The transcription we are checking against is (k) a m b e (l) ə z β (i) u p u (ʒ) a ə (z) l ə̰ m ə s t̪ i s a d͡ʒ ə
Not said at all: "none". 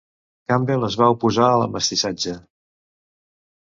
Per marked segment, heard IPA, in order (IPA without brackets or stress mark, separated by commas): k, l, a, z, none